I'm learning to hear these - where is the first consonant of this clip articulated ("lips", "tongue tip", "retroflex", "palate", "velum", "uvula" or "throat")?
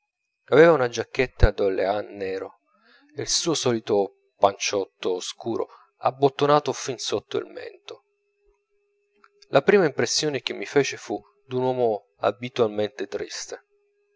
lips